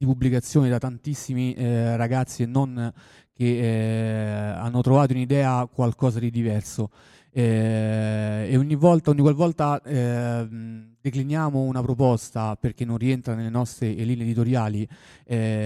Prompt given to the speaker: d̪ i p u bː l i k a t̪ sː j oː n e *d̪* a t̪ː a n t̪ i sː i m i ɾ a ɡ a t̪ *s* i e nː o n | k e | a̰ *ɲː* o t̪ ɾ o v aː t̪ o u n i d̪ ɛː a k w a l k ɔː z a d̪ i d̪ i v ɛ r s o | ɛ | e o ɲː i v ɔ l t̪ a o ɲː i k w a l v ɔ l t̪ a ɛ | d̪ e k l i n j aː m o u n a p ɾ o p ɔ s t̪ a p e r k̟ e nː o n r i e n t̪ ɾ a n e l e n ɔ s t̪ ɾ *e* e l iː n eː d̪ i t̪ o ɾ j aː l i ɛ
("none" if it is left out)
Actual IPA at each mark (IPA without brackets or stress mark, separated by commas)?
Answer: d̪, sː, nː, e